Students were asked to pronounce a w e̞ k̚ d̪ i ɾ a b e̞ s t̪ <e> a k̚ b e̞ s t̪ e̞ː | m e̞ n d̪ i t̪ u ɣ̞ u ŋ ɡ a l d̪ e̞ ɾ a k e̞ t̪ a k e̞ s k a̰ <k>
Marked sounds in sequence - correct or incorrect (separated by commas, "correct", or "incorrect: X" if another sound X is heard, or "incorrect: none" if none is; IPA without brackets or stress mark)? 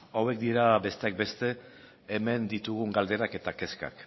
correct, correct